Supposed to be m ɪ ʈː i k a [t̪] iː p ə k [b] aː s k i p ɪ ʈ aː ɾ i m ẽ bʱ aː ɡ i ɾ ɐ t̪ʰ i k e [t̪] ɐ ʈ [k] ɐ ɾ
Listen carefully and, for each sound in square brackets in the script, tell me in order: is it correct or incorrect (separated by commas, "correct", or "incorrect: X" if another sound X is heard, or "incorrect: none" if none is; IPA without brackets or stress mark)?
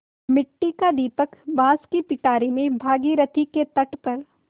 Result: incorrect: d̪, correct, correct, incorrect: p